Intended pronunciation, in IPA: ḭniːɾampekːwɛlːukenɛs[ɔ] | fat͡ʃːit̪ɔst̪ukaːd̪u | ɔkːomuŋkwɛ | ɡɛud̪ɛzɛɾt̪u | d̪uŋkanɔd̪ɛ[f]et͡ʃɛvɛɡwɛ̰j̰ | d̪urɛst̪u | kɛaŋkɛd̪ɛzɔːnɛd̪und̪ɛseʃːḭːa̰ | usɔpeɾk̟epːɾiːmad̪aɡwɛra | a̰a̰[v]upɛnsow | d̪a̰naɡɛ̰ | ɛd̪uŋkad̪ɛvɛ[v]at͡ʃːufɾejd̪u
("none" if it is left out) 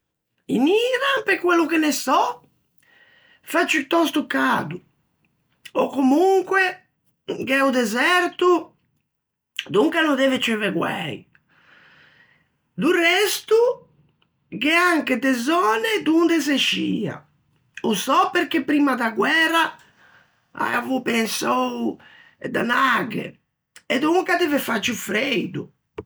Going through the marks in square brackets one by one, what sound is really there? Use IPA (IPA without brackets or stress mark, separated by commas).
ɔ, v, v, f